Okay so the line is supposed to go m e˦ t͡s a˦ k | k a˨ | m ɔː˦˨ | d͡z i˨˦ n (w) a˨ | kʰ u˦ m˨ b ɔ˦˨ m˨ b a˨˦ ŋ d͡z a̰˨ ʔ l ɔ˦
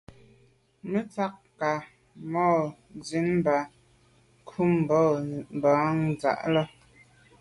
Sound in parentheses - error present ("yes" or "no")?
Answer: yes